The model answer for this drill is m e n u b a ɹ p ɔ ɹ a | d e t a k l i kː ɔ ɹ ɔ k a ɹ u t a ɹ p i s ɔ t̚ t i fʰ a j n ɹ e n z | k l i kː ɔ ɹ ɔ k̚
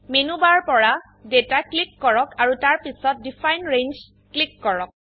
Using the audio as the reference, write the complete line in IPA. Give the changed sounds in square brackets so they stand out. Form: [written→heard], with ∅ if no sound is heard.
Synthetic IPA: m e n u b a ɹ p ɔ ɹ a | d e t a k l i kː ɔ ɹ ɔ k a ɹ u t a ɹ p i s ɔ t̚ [t→d] i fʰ a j n ɹ e n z | k l i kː ɔ ɹ ɔ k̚